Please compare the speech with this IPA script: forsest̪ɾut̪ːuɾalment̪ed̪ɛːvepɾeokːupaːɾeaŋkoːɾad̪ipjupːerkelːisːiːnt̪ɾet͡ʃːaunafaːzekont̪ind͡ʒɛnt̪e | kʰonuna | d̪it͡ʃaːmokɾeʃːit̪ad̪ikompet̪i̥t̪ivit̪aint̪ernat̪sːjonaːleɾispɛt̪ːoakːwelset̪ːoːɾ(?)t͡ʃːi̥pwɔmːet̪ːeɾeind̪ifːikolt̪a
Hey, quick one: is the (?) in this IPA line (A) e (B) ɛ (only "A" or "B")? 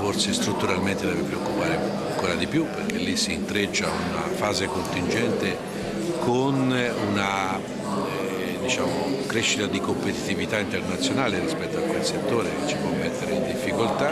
A